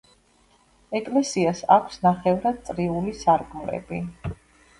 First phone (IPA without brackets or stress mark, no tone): ɛ